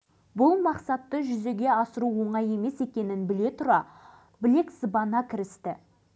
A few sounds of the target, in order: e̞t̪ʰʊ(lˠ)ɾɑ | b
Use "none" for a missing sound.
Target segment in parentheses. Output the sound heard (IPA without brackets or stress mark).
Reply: none